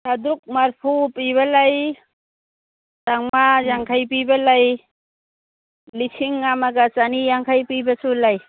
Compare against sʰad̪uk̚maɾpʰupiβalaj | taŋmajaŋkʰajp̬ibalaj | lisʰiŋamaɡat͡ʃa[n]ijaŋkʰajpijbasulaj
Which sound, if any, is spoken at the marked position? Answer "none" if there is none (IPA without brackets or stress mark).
n